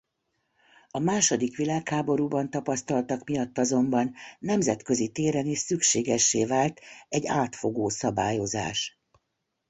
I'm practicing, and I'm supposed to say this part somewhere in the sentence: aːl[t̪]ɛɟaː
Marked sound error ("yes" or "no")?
no